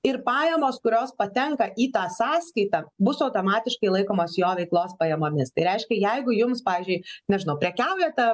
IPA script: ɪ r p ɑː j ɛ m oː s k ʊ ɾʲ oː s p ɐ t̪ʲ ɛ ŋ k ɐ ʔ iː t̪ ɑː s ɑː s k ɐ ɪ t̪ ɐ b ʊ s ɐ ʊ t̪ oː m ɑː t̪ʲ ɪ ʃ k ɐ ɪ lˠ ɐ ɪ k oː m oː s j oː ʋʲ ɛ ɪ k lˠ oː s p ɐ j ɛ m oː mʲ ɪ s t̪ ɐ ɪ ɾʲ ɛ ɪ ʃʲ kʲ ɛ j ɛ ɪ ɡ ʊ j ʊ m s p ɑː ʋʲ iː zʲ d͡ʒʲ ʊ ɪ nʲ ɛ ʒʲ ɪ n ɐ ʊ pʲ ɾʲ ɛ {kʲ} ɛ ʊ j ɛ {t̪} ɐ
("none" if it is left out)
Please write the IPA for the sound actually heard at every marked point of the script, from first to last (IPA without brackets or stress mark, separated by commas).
kʲ, t̪